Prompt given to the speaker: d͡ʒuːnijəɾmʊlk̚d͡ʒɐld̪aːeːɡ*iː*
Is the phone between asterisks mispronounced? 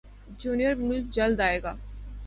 yes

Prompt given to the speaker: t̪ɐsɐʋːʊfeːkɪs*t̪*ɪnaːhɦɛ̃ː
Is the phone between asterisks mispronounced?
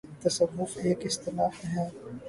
no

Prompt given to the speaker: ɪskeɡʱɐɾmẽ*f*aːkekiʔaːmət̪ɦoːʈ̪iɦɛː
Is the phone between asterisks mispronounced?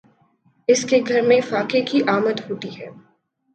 no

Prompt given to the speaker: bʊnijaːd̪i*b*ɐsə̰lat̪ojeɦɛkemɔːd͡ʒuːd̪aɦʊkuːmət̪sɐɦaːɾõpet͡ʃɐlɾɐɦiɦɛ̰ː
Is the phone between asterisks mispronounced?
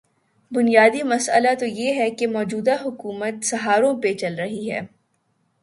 yes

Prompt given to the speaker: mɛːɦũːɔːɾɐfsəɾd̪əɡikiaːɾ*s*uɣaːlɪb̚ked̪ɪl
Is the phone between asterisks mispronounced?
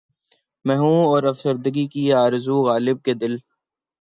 yes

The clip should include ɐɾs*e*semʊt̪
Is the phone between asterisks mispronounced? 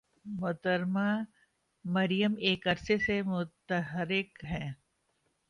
no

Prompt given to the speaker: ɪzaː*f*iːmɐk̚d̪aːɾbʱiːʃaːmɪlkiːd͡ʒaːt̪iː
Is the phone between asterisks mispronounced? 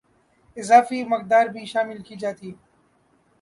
no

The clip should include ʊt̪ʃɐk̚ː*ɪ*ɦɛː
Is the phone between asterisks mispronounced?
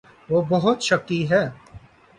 yes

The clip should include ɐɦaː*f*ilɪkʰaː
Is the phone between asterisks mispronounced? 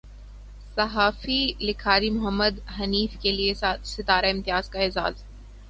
no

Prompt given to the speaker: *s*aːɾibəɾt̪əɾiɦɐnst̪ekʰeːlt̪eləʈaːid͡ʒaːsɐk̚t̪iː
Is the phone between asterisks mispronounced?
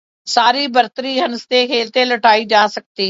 no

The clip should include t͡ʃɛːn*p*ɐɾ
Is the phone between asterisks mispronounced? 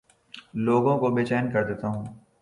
yes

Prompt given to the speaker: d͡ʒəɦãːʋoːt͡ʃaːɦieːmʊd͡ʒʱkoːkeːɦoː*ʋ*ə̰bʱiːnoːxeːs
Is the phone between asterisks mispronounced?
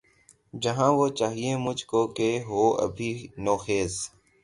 yes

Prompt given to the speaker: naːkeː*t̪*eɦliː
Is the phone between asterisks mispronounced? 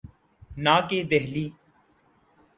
yes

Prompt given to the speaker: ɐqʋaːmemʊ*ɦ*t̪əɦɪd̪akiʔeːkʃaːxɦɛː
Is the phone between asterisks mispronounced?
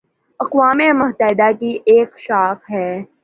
no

